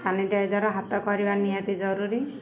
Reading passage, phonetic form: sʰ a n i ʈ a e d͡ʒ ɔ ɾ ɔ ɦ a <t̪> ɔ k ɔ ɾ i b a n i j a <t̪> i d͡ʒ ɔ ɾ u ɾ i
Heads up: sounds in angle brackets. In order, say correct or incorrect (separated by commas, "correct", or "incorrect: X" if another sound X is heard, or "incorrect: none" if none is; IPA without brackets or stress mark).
correct, correct